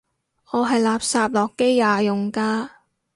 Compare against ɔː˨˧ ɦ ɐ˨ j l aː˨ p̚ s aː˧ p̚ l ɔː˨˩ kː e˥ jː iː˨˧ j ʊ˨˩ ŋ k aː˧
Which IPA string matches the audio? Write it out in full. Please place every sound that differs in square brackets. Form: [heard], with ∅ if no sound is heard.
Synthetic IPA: ɔː˨˧ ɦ ɐ˨ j l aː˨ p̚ s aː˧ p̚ l ɔː˨˩ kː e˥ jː [aː˨˧] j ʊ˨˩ ŋ k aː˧